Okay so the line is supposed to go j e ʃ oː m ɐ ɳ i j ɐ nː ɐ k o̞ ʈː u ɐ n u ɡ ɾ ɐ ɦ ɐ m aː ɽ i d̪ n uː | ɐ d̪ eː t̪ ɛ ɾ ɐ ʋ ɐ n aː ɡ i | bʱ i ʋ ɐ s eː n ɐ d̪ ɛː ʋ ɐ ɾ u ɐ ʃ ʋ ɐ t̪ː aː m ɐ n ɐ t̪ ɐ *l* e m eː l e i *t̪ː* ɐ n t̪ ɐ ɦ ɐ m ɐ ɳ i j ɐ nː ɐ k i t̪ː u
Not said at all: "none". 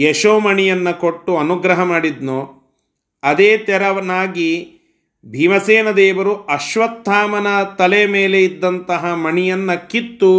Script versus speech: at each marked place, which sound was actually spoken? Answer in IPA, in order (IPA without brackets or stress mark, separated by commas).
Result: l, d̪ː